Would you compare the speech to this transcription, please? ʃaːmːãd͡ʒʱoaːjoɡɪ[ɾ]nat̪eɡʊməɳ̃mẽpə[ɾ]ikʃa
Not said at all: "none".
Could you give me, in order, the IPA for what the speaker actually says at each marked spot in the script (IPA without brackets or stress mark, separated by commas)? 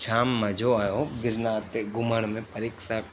ɾ, ɾ